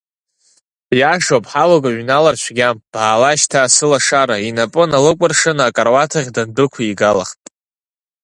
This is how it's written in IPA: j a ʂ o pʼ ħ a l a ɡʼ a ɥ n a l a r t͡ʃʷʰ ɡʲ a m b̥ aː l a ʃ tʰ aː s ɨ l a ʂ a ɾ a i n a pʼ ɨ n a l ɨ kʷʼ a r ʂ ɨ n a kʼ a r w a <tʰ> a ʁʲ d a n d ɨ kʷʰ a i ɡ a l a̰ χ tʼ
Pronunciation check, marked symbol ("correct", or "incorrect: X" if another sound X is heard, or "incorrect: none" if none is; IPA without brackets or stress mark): correct